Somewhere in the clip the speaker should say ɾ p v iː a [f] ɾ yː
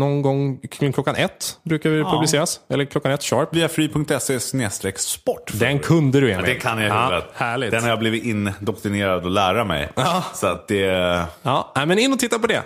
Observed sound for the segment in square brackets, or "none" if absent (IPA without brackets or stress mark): f